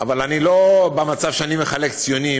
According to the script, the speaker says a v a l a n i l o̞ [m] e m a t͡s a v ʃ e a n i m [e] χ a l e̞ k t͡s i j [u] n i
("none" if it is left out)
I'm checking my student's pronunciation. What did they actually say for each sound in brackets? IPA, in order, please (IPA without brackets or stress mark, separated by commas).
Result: b, e, o